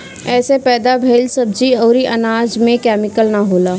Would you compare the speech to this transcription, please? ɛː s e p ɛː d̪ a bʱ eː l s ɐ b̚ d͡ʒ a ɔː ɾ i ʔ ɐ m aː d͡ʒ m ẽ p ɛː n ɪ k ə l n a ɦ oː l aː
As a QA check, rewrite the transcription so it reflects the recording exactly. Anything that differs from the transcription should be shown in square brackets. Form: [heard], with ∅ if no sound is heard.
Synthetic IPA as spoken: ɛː s e p ɛː d̪ a bʱ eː l s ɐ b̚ d͡ʒ [i] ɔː ɾ i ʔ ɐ [n] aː d͡ʒ m ẽ [k] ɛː [m] ɪ k ə l n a ɦ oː l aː